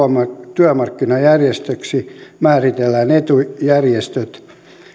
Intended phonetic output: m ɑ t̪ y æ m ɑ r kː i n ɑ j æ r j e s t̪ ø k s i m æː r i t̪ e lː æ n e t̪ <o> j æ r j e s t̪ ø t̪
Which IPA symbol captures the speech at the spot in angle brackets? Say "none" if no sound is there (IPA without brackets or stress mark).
u